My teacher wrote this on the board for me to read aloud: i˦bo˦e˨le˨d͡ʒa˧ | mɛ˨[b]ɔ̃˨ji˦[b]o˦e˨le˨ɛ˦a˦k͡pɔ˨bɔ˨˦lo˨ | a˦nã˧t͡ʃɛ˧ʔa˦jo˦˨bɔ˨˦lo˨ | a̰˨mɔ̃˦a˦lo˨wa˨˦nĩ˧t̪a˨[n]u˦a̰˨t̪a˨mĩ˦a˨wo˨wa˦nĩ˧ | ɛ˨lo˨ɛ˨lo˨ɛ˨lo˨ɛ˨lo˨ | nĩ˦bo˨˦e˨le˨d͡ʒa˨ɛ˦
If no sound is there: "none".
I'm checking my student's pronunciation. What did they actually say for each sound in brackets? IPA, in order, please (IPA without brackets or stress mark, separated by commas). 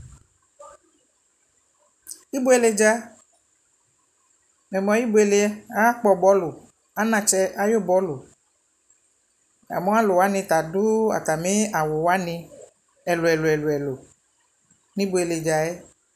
m, b, d